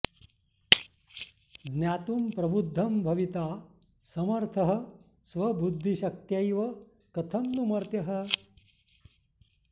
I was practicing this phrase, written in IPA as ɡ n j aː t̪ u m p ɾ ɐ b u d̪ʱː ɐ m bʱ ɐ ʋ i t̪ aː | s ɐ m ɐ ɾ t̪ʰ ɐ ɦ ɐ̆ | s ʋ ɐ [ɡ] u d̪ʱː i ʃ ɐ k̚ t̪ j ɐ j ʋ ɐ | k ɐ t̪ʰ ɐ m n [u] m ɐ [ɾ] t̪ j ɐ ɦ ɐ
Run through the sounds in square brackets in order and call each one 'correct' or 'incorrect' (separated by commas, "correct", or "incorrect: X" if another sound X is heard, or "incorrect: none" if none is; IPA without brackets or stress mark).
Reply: incorrect: b, correct, correct